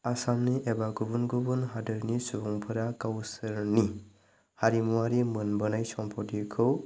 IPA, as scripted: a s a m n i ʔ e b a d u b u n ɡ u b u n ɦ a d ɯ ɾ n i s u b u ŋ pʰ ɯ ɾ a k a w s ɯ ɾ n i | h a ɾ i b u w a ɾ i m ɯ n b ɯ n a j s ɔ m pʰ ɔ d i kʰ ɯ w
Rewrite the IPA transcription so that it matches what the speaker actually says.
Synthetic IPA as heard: a s a m n i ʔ e b a ɡ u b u n ɡ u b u n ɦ a d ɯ ɾ n i s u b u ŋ pʰ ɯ ɾ a k a w s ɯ ɾ n i | h a ɾ i m u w a ɾ i m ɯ n b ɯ n a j s ɔ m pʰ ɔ d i kʰ ɯ w